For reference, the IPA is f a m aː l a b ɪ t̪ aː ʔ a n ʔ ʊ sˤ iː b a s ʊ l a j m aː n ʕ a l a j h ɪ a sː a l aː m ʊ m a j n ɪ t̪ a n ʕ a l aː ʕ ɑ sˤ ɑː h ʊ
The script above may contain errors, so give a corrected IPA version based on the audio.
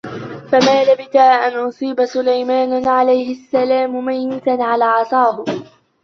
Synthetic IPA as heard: f a m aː l a b ɪ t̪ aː ʔ a n ʔ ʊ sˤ iː b a s ʊ l a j m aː n ʕ a l a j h ɪ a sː a l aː m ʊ m a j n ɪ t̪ a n ʕ a l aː ʕ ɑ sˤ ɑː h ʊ